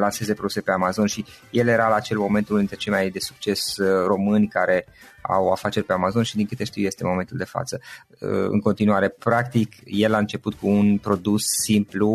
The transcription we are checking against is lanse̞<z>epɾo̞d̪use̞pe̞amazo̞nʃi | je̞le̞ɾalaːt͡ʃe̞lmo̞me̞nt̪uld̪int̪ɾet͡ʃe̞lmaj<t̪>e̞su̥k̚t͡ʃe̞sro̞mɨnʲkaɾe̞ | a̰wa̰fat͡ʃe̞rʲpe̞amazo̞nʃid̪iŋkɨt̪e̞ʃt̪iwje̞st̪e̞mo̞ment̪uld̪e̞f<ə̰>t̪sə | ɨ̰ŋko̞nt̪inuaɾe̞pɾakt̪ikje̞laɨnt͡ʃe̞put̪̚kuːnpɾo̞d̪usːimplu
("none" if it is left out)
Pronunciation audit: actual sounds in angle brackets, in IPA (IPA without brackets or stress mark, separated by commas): z, d̪, a̰